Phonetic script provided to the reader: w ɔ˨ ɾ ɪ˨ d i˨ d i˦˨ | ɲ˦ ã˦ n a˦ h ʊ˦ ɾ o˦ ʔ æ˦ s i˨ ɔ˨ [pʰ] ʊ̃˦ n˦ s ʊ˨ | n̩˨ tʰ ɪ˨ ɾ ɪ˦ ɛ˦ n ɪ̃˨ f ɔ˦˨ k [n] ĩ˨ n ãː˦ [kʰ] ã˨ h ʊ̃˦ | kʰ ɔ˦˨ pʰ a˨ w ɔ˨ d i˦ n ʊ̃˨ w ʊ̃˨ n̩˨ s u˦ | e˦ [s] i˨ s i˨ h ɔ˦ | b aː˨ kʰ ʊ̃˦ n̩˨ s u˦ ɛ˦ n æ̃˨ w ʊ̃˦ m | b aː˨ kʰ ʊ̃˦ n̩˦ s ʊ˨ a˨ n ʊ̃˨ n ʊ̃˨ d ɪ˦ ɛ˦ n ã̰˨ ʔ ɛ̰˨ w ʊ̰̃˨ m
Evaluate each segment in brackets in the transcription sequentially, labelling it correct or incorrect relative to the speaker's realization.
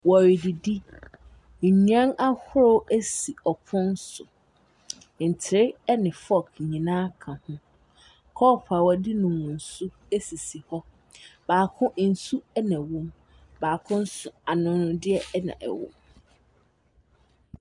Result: correct, incorrect: ɲ, correct, correct

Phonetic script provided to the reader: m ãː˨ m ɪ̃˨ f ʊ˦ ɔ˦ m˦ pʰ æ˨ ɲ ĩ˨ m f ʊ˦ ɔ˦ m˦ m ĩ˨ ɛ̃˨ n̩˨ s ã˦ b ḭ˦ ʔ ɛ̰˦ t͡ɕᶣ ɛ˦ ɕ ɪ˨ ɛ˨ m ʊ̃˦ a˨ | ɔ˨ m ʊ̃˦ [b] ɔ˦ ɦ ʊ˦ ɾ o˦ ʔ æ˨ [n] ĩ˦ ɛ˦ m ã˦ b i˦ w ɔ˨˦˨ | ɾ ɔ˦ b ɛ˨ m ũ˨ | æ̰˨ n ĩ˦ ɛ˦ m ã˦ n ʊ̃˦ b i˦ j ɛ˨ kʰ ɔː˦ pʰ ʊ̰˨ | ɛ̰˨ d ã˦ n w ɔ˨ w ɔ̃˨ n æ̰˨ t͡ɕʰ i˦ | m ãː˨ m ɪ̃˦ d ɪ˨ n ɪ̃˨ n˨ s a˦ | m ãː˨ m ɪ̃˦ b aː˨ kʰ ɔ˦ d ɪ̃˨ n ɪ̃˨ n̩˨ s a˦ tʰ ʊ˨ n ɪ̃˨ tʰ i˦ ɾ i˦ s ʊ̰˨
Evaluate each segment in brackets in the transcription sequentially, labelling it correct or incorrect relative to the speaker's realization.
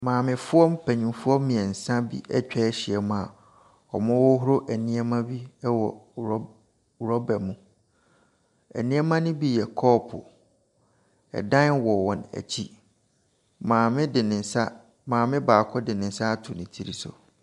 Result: incorrect: w, correct

